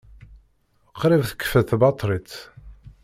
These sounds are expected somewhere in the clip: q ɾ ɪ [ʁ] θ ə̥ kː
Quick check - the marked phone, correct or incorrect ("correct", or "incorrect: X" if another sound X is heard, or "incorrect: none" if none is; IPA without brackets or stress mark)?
incorrect: v